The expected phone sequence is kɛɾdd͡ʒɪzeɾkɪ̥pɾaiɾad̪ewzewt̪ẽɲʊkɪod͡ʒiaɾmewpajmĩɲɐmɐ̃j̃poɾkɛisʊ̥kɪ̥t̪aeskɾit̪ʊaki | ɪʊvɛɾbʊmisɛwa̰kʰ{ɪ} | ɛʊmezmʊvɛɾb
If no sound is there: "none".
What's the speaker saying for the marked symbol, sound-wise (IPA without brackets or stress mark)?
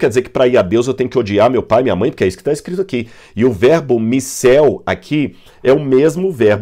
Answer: i